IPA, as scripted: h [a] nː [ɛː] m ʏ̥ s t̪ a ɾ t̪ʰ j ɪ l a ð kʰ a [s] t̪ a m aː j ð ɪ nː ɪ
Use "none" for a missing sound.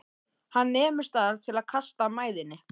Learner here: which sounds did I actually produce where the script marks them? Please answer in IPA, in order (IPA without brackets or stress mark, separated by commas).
a, ɛː, s